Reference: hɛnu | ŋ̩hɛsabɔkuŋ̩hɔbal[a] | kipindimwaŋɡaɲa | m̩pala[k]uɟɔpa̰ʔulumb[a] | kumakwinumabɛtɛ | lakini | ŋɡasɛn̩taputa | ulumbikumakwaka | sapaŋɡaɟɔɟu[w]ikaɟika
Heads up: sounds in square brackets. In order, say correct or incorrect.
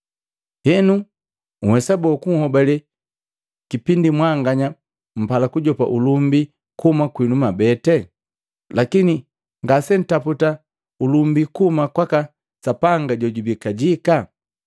incorrect, correct, incorrect, incorrect

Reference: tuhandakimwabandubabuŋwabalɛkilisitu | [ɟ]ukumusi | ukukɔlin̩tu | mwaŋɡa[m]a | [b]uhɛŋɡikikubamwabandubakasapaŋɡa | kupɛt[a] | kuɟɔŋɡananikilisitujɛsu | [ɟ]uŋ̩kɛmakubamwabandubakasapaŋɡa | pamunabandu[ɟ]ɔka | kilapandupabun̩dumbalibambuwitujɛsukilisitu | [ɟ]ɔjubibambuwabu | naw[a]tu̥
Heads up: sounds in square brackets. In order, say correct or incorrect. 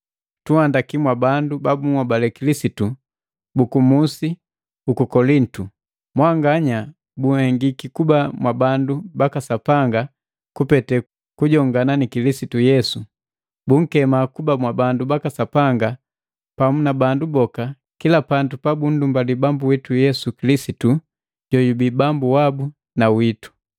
incorrect, incorrect, correct, incorrect, incorrect, incorrect, correct, incorrect

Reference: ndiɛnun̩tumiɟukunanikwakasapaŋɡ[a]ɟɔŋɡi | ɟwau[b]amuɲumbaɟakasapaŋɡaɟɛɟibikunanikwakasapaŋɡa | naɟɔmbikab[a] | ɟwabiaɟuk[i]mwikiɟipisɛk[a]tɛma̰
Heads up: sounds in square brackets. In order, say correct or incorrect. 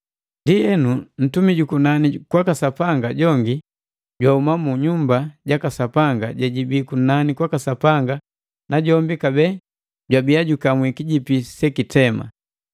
correct, incorrect, incorrect, incorrect, incorrect

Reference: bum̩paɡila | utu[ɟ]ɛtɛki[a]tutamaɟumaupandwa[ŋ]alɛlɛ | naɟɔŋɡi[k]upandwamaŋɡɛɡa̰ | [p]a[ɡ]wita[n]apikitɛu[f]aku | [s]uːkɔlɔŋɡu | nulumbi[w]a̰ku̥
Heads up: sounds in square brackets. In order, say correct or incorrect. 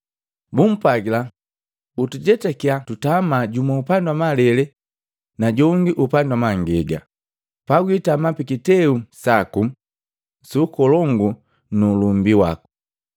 correct, correct, incorrect, incorrect, correct, correct, incorrect, incorrect, correct, correct

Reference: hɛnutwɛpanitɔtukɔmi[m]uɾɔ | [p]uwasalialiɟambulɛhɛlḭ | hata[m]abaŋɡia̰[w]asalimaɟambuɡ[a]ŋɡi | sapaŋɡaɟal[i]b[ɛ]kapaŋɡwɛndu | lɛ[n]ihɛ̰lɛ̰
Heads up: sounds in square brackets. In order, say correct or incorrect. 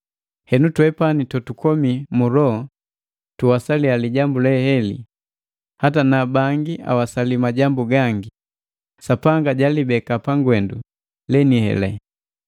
correct, incorrect, incorrect, correct, correct, correct, correct, correct

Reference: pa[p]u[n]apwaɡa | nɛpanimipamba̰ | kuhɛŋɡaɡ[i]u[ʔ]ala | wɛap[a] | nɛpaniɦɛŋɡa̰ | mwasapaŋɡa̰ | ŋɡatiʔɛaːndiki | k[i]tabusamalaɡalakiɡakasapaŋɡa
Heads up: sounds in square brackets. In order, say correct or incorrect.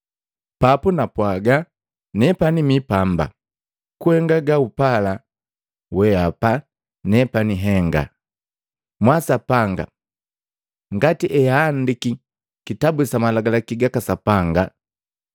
correct, correct, incorrect, incorrect, correct, correct

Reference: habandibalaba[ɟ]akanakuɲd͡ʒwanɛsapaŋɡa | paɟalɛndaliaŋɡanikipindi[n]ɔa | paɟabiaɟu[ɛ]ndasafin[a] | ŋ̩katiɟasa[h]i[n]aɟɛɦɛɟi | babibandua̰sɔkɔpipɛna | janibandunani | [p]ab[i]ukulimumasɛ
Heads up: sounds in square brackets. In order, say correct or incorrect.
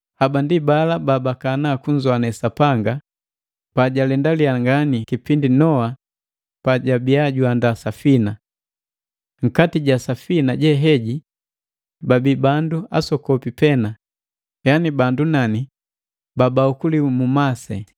incorrect, correct, incorrect, correct, incorrect, correct, incorrect, incorrect

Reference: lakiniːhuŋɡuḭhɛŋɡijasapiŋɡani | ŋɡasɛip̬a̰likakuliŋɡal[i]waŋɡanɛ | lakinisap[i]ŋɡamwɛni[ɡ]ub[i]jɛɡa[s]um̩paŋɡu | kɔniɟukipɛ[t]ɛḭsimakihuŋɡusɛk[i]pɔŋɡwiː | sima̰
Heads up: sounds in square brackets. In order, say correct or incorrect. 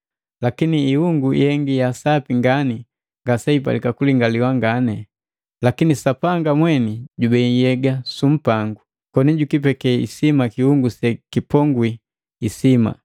correct, incorrect, incorrect, incorrect, correct, incorrect, correct

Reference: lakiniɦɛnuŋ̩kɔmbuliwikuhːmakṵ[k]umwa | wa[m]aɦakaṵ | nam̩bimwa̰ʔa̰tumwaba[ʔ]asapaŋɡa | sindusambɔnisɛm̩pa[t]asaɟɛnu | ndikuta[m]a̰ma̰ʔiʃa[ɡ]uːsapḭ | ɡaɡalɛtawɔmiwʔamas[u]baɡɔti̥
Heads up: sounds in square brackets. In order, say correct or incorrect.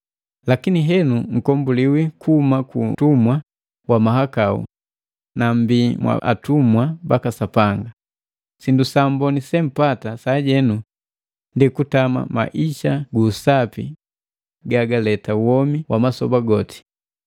incorrect, correct, incorrect, correct, correct, correct, incorrect

